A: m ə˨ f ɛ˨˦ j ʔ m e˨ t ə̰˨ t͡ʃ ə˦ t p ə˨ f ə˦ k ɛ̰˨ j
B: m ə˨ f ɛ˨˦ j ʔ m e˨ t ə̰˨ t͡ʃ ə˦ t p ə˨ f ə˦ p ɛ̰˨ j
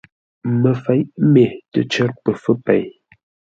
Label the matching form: B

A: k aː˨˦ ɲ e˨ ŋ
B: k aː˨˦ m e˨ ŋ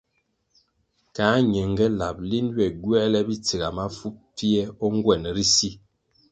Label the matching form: A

